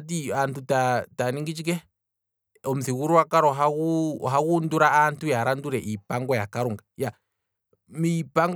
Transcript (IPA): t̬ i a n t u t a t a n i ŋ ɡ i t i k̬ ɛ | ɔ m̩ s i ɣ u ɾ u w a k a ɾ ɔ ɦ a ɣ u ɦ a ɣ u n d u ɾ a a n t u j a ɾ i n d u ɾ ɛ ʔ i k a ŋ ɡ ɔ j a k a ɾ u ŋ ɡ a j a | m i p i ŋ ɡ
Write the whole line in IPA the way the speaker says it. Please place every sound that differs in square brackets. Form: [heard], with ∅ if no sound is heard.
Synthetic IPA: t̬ i a n t u t a t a n i ŋ ɡ i [t͡ʃ] i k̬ ɛ | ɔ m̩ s i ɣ u ɾ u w a k a ɾ ɔ ɦ a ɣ u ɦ a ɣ u n d u ɾ a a n t u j a ɾ [a] n d u ɾ ɛ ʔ i [p] a ŋ ɡ ɔ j a k a ɾ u ŋ ɡ a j a | m i p [a] ŋ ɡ

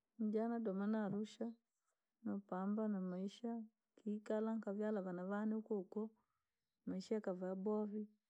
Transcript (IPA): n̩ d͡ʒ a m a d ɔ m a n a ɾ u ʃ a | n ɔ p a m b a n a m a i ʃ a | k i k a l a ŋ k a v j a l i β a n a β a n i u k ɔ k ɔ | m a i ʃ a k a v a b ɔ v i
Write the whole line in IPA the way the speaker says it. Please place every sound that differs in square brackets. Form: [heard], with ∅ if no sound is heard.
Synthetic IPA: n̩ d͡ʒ a [n] a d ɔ m a n a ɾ u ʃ a | n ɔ p a m b a n a m a i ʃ a | k i k a l a ŋ k a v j a l [a] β a n a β a n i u k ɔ k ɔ | m a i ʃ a k a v a b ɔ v i

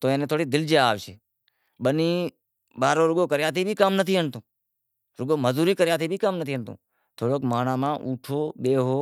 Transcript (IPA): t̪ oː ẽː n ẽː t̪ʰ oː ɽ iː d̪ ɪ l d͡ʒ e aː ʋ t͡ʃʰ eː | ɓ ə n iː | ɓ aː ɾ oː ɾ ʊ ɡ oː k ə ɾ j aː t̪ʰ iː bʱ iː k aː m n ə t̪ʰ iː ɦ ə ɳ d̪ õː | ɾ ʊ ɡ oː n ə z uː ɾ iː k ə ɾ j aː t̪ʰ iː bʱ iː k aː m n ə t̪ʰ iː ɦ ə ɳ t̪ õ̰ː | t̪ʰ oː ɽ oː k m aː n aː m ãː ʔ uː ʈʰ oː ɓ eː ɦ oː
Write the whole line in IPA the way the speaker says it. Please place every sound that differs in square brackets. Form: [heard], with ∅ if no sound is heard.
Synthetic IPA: t̪ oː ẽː n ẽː t̪ʰ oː ɽ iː d̪ ɪ l d͡ʒ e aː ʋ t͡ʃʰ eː | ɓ ə n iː | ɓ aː ɾ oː ɾ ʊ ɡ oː k ə ɾ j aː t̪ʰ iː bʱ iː k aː m n ə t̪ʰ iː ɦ ə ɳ [t̪] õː | ɾ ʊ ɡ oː [m] ə z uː ɾ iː k ə ɾ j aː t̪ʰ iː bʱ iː k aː m n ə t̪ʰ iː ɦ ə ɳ t̪ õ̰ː | t̪ʰ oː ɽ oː k m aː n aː m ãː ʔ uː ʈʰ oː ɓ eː ɦ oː

